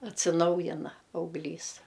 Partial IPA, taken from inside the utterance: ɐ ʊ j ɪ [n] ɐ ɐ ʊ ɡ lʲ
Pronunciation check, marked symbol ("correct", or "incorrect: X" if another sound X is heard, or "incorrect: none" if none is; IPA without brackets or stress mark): correct